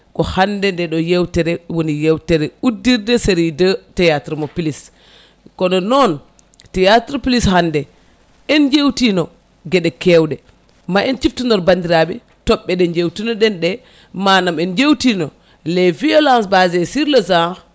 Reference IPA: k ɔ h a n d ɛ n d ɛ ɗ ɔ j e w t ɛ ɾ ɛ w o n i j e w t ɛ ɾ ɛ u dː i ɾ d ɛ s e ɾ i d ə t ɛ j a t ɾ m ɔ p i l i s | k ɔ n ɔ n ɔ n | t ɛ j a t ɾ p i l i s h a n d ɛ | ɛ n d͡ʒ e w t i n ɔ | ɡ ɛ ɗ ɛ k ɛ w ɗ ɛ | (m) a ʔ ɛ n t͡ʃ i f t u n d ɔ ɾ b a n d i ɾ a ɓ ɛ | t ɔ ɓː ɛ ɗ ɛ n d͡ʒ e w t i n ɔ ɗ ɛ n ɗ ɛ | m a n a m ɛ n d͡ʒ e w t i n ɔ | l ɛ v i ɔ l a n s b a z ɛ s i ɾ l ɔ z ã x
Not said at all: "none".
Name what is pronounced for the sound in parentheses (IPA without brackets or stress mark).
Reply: m